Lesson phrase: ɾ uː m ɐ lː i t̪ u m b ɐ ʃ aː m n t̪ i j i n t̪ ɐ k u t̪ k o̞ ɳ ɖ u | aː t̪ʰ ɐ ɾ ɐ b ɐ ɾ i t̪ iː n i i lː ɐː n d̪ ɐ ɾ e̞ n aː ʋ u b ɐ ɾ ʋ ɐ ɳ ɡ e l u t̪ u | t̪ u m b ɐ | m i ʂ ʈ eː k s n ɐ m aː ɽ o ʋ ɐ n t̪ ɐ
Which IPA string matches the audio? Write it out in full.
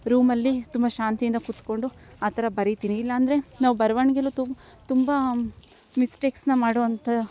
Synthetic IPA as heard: ɾ uː m ɐ lː i t̪ u m b ɐ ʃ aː n t̪ i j i n d̪ ɐ k u t̪ k o̞ ɳ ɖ u | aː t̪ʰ ɐ ɾ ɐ b ɐ ɾ i t̪ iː n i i lː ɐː n d̪ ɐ ɾ e̞ n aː ʋ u b ɐ ɾ ʋ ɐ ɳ ɡ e l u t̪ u | t̪ u m b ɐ | m i s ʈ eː k s n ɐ m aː ɽ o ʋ ɐ n t̪ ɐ